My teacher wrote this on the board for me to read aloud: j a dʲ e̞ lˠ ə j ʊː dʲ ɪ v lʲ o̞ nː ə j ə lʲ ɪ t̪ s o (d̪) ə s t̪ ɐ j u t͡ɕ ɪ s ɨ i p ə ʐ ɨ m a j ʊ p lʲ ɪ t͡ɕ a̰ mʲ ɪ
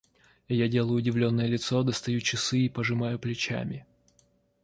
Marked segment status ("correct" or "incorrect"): correct